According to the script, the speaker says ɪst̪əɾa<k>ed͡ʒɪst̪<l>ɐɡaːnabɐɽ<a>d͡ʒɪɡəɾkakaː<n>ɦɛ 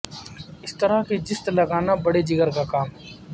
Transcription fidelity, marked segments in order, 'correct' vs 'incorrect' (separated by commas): correct, correct, incorrect, incorrect